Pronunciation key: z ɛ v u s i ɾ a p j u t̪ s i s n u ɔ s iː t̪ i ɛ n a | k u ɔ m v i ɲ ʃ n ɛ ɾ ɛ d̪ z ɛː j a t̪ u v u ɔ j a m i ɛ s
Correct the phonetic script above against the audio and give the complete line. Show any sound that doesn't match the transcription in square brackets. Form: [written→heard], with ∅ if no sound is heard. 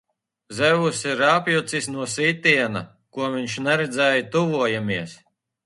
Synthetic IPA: z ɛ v u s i ɾ a p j u t̪ s i s n u ɔ s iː t̪ i ɛ n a | k u ɔ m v i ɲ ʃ n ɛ ɾ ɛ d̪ z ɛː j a t̪ u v u ɔ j a m i ɛ s